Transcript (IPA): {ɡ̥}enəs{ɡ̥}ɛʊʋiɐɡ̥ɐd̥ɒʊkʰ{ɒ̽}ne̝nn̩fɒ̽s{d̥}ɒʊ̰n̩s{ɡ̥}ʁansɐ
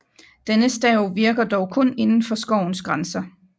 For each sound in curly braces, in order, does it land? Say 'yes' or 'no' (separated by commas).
no, no, no, no, yes